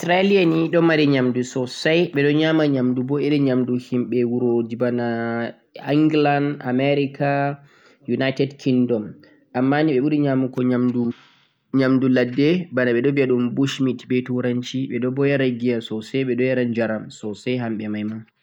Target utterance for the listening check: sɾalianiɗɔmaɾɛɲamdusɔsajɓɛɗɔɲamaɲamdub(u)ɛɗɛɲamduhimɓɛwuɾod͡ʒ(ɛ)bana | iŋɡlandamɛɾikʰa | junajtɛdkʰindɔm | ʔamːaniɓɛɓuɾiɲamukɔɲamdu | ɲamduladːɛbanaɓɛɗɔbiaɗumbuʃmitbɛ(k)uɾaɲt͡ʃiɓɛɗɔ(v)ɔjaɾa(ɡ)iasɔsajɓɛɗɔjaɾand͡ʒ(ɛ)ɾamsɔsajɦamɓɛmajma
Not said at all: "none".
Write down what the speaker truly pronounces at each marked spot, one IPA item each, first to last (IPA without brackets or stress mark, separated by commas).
ɔ, i, t, b, ɡ, a